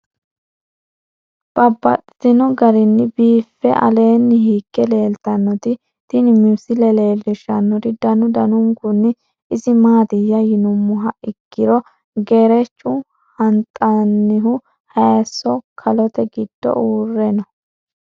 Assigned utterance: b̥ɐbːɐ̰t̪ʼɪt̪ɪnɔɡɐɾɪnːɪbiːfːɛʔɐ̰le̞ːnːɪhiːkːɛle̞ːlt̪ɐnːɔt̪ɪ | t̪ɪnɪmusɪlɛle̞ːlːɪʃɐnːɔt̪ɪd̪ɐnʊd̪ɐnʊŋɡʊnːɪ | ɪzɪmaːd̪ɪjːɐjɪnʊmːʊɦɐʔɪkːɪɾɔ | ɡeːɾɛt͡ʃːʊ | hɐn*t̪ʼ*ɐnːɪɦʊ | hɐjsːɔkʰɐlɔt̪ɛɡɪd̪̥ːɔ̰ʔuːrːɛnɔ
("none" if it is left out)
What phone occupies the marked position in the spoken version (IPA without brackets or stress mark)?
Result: t̪ʼ